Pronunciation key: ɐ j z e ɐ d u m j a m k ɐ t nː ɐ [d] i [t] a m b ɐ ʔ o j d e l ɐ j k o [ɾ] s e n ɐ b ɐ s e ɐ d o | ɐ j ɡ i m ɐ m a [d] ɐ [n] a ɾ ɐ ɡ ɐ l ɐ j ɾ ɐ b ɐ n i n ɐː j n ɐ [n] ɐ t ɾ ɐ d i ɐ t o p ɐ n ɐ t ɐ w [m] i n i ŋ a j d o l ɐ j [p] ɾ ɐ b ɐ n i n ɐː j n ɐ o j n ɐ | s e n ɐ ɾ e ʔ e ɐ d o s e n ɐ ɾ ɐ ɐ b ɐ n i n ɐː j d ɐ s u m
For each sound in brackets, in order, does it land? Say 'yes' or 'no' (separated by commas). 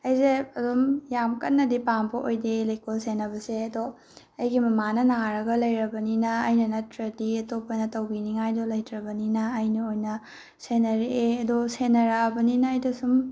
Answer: yes, no, no, no, yes, yes, no, no